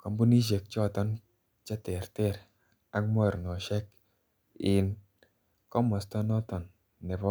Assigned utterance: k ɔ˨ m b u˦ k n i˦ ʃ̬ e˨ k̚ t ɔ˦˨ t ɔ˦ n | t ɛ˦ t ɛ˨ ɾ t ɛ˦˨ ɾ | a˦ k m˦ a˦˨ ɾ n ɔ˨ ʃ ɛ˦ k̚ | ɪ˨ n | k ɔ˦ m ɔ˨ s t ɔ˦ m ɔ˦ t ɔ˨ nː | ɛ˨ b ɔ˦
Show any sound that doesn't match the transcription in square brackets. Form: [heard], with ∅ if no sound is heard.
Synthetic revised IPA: k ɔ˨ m b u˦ [∅] n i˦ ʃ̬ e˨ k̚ [t͡ʃ] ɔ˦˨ t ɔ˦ n | [t͡ʃ] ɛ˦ t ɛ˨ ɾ t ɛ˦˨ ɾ | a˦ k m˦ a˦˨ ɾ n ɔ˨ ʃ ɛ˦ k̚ | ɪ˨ n | k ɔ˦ m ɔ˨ s t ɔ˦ [n] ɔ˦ t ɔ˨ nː | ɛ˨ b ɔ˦